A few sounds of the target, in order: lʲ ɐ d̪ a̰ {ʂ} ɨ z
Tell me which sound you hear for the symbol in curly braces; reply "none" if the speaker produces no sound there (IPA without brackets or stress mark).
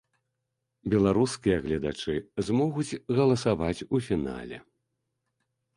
t͡ʂ